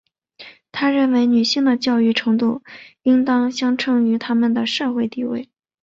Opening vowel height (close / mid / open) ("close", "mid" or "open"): open